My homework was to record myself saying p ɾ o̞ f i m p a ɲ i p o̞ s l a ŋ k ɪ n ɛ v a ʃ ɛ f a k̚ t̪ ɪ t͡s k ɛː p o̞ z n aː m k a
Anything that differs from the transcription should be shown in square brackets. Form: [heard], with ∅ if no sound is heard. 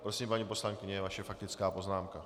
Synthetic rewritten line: p ɾ o̞ [s] i m p a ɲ i p o̞ s l a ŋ k ɪ [ɲ] ɛ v a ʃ ɛ f a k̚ t̪ ɪ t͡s k [aː] p o̞ z n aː m k a